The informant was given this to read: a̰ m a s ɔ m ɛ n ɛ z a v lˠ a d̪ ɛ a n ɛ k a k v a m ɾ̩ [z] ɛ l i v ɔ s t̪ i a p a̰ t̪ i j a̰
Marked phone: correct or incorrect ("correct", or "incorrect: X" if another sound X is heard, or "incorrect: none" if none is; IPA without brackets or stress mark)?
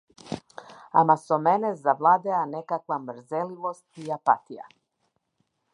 correct